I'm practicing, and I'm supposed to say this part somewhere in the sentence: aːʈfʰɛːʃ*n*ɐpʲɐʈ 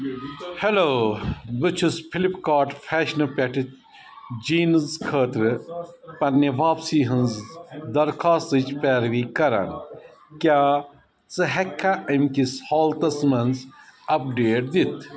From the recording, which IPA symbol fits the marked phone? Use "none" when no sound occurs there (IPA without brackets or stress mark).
n